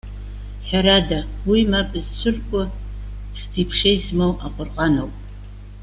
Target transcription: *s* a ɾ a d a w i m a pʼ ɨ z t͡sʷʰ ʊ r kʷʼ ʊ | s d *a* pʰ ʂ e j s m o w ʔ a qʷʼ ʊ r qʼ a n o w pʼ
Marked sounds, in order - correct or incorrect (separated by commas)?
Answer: incorrect, incorrect